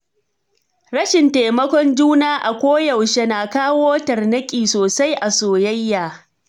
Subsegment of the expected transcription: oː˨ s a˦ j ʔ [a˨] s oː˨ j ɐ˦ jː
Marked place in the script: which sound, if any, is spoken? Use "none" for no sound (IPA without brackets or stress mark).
a˨